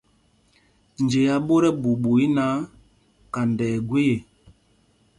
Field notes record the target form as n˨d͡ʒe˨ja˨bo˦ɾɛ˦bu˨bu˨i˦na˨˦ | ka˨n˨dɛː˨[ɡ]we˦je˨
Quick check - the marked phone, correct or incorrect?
correct